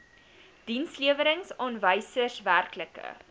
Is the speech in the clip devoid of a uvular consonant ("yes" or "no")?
yes